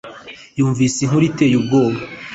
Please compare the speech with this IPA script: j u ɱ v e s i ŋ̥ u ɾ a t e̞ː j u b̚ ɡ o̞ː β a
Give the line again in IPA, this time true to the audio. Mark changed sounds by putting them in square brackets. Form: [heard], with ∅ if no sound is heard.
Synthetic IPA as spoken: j [uː] ɱ v [i] s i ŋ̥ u ɾ [i] t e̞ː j u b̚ ɡ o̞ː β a